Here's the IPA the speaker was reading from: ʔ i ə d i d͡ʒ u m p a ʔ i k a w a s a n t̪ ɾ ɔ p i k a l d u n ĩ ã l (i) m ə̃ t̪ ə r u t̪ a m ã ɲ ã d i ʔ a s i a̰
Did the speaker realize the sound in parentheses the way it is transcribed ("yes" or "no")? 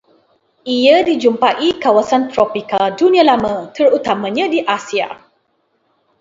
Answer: no